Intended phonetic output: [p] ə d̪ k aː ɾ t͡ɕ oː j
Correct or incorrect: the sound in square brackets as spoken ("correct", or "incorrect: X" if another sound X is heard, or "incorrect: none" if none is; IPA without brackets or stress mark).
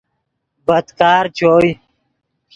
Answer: incorrect: b